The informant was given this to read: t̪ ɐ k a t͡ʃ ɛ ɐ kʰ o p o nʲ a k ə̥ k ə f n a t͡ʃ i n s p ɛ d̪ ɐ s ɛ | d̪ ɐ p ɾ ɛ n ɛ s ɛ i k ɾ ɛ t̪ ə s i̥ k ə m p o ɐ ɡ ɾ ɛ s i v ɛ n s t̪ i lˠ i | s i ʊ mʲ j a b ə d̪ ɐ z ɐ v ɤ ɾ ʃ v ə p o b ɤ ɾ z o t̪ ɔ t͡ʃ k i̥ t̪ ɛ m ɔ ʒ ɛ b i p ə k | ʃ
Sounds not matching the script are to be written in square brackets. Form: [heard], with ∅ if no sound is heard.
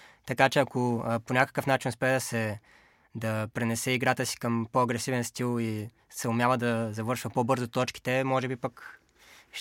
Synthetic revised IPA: t̪ ɐ k a t͡ʃ ɛ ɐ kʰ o p o nʲ a k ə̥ k ə f n a t͡ʃ i n s p ɛ d̪ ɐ s ɛ | d̪ ɐ p ɾ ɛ n ɛ s ɛ i [ɡ] ɾ [a] t̪ ə s i̥ k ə m p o ɐ ɡ ɾ ɛ s i v ɛ n s t̪ i lˠ i | s [ɛ] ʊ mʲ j a [v] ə d̪ ɐ z ɐ v ɤ ɾ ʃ v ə p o b ɤ ɾ z o t̪ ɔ t͡ʃ k i̥ t̪ ɛ m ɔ ʒ ɛ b i p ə k | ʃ